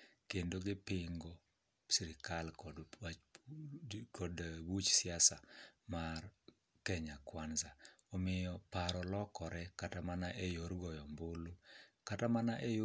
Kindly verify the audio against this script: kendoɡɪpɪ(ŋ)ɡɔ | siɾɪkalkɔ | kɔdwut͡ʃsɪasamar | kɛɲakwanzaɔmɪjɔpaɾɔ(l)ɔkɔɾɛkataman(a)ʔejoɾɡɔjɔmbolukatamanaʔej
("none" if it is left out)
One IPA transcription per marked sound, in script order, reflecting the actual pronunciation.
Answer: ŋ, l, a

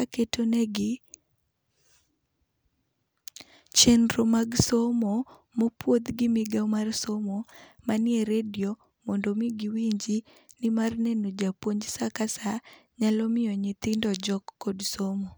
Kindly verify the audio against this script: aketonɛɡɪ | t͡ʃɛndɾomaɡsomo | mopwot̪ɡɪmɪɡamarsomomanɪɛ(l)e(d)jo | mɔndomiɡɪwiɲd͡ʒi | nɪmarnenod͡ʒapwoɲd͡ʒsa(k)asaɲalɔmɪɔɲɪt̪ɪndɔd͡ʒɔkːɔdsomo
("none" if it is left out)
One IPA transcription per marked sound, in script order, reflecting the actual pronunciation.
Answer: ɾ, d, k

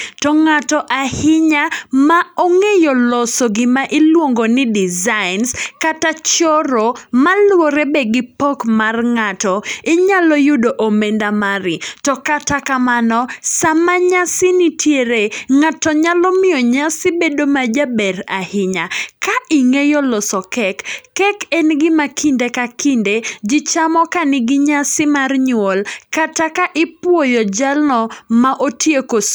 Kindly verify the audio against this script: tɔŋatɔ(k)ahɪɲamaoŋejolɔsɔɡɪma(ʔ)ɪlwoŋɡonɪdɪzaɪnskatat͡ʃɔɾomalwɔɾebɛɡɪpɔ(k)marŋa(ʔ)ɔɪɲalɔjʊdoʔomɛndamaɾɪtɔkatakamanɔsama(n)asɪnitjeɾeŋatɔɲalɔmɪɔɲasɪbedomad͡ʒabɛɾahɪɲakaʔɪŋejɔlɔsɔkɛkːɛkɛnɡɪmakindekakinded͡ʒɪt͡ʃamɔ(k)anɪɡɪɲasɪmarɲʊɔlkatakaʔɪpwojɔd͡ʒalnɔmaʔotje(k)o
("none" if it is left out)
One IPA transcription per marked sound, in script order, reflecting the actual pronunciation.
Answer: ʔ, ʔ, k, t, ɲ, k, k

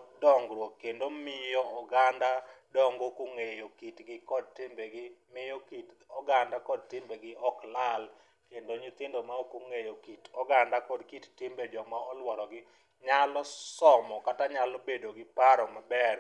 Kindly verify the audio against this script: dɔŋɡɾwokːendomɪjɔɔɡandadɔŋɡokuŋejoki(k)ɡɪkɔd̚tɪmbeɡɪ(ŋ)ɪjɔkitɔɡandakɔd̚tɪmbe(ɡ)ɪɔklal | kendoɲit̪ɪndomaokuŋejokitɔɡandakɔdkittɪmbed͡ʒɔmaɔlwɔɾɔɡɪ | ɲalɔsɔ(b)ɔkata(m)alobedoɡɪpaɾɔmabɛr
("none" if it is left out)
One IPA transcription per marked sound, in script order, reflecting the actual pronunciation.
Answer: t, m, ɡ, m, ɲ

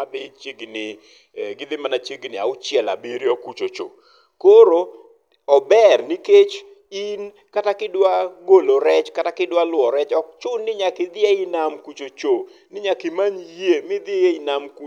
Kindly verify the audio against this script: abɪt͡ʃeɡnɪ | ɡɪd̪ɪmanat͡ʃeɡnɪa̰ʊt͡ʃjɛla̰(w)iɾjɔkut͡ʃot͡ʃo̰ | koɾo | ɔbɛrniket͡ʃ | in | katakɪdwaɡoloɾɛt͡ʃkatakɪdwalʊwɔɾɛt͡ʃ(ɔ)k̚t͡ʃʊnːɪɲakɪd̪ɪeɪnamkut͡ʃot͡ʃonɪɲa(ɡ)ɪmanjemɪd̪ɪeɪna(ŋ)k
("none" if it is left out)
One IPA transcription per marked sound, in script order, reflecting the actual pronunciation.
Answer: b, ɔ, k, m

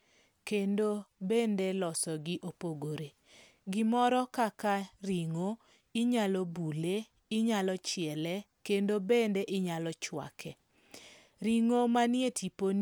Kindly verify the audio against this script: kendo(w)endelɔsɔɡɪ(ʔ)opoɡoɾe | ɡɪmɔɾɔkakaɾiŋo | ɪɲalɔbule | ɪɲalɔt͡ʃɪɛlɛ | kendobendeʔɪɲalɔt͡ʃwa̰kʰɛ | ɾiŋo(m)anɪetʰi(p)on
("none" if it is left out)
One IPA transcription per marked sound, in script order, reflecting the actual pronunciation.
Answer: b, ʔ, m, p

